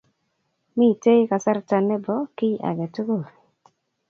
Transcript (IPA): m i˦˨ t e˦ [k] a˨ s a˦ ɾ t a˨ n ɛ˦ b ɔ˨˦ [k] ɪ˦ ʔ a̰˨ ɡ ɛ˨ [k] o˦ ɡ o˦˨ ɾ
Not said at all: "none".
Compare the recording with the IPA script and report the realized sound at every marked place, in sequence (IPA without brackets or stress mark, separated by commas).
k, k, t